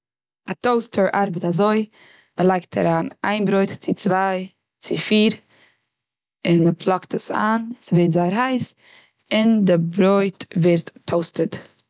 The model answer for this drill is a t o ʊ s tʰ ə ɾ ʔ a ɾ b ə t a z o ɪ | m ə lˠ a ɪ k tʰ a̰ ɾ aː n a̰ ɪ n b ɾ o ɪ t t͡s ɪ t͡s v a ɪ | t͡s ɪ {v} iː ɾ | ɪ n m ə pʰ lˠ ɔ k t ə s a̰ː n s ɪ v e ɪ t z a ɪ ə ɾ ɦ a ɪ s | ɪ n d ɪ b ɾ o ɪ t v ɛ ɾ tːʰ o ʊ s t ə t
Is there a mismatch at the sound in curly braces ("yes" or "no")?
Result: yes